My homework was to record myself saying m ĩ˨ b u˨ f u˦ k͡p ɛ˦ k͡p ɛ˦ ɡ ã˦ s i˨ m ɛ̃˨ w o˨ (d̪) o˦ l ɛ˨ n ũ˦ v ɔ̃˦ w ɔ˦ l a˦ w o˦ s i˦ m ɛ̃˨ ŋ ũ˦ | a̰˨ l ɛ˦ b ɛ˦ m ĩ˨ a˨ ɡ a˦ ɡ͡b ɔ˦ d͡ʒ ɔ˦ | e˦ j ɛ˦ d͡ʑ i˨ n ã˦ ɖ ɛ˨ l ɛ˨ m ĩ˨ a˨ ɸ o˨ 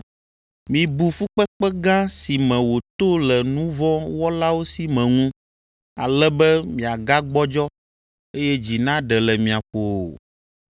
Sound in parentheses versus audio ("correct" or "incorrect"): incorrect